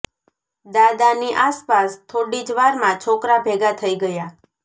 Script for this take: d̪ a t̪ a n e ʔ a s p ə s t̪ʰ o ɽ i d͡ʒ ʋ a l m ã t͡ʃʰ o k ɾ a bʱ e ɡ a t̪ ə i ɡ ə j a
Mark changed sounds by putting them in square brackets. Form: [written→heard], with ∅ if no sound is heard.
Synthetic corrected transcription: d̪ a [t̪→d̪] a n [e→i] ʔ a s p [ə→a] s t̪ʰ o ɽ i d͡ʒ ʋ a [l→ɾ] m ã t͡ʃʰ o k ɾ a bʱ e ɡ a [t̪→t̪ʰ] ə i ɡ ə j a